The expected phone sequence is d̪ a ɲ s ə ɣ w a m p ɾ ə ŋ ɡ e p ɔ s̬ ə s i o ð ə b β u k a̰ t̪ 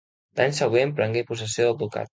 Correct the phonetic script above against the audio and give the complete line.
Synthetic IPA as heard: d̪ a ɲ s ə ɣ w e m p ɾ ə ŋ ɡ e p u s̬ ə s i o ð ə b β u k a̰ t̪